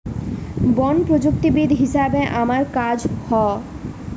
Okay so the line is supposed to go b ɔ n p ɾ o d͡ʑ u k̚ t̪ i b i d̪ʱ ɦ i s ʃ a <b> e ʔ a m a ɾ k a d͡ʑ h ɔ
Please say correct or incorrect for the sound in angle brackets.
correct